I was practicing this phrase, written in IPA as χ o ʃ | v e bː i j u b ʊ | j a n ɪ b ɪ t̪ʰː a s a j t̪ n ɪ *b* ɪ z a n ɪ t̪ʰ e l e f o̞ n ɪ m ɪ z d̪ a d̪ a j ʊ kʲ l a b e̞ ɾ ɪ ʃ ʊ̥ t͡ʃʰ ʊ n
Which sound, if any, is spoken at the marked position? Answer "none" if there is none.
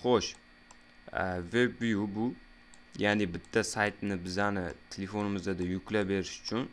b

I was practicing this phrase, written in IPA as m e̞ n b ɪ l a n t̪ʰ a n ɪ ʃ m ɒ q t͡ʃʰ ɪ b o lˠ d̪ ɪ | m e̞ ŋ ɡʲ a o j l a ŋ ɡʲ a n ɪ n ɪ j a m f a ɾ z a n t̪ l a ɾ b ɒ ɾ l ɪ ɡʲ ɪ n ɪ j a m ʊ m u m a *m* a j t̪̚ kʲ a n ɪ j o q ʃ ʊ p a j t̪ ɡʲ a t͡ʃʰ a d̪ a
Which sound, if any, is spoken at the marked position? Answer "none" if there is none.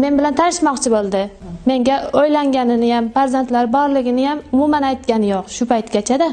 n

